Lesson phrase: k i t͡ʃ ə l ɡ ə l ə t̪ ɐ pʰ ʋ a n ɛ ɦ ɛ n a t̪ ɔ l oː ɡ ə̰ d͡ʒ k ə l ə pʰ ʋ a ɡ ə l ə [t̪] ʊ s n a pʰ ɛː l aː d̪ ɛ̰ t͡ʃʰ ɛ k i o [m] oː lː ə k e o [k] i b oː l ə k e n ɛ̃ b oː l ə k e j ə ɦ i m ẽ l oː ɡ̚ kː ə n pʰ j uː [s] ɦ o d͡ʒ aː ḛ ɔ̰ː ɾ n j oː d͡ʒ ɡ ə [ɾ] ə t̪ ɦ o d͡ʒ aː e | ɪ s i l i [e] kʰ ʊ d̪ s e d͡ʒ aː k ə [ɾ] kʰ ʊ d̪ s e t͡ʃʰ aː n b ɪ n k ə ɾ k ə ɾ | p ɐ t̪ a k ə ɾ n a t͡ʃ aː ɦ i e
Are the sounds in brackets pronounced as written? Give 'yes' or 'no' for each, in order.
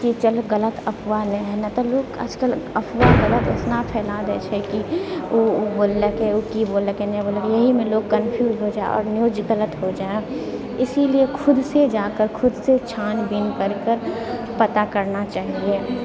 yes, no, yes, no, no, yes, yes

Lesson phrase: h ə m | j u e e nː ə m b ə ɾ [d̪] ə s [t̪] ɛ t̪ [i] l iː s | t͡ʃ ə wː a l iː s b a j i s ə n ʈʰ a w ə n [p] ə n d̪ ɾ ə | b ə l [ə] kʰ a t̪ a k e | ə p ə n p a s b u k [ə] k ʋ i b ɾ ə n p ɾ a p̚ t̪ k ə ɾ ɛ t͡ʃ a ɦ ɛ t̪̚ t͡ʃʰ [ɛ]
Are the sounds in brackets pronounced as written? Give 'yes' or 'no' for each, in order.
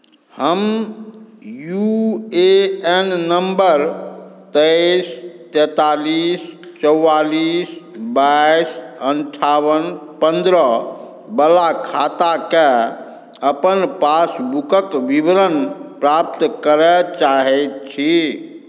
no, yes, no, yes, no, yes, no

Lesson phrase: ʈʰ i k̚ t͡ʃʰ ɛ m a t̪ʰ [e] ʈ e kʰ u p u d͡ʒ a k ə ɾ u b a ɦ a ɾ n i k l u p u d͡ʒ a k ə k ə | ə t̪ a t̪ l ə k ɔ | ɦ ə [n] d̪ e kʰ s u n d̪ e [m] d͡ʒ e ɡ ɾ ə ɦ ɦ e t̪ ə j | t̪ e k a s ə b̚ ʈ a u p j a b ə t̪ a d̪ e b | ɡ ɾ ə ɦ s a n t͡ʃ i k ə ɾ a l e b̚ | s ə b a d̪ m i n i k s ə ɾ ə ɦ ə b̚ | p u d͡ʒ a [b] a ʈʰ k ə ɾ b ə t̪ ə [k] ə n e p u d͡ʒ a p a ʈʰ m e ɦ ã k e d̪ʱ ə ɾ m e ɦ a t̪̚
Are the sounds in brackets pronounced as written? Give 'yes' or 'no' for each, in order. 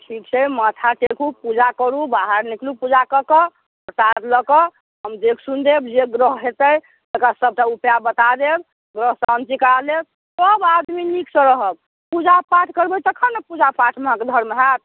no, no, no, no, no

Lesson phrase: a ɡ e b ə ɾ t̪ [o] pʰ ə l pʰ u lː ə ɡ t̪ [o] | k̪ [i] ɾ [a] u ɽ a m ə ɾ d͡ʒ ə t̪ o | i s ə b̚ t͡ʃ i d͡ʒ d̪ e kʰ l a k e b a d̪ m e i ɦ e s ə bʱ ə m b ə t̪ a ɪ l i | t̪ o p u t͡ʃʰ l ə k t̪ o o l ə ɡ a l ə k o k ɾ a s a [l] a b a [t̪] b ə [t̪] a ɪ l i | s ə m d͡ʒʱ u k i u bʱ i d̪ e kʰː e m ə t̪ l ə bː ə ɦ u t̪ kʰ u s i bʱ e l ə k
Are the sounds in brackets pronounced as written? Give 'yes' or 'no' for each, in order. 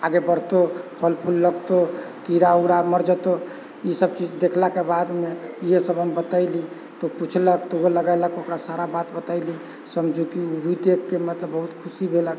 yes, yes, yes, yes, no, yes, yes

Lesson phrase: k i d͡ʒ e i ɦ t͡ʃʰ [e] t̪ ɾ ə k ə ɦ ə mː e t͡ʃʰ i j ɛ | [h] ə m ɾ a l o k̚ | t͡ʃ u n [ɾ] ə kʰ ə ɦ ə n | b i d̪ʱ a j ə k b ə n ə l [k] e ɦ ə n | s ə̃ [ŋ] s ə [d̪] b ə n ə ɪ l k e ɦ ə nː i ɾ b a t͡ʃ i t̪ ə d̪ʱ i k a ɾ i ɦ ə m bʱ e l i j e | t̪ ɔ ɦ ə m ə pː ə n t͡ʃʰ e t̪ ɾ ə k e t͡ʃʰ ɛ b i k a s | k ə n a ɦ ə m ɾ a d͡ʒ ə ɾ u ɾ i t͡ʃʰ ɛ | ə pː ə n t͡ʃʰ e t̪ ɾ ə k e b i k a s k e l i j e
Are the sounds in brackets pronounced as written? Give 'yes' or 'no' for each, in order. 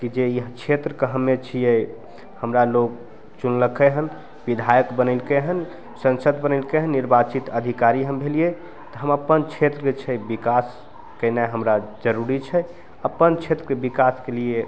yes, yes, no, yes, no, yes

